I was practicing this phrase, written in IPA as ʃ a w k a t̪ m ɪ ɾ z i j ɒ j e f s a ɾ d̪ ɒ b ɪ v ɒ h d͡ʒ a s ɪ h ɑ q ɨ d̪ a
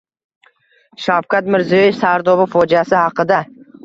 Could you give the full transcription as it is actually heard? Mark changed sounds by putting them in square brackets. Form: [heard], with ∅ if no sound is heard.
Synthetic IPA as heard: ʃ a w k a t̪ m ɪ ɾ z i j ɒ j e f s a ɾ d̪ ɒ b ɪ [f] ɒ [∅] d͡ʒ a s ɪ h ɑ q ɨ d̪ a